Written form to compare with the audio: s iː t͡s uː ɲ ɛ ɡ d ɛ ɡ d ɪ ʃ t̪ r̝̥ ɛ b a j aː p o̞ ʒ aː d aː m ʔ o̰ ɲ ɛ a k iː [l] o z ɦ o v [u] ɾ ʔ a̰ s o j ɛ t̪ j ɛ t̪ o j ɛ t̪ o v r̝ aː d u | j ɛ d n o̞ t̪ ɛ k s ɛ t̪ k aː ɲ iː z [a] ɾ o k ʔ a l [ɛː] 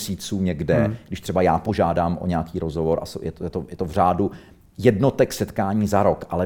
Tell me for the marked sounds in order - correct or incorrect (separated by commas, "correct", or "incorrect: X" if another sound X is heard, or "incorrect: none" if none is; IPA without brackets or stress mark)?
incorrect: ɾ, incorrect: o, correct, incorrect: ɛ